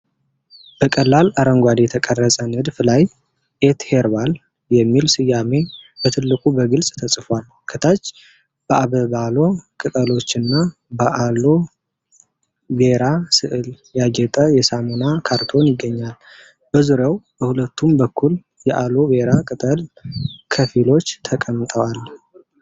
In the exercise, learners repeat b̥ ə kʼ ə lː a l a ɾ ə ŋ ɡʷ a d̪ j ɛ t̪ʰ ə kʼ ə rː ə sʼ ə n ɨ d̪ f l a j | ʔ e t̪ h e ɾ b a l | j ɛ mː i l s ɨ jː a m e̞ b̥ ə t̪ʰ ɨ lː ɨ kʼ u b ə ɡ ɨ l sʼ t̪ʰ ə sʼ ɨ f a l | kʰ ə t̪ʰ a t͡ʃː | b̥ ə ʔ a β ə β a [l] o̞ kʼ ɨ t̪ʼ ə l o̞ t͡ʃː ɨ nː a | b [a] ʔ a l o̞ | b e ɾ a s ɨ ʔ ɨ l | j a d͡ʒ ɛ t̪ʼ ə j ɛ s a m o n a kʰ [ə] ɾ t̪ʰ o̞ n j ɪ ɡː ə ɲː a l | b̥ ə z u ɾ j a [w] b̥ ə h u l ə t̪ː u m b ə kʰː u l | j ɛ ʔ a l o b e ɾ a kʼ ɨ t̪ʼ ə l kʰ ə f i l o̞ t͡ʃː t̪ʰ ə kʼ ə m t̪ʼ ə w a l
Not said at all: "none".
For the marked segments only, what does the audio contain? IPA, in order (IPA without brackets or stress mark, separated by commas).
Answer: l, ə, a, w